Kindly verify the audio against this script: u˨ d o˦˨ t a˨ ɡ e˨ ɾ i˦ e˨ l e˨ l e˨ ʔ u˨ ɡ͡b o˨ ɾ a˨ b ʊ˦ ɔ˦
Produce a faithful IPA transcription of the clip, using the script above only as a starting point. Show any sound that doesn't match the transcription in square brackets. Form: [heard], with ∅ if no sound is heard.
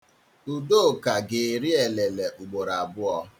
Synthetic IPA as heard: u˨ d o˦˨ [k] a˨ ɡ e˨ ɾ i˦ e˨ l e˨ l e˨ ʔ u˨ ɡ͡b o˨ ɾ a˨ b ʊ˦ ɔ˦